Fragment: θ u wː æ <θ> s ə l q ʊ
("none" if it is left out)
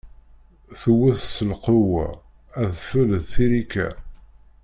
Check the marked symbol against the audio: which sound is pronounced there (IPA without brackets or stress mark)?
θ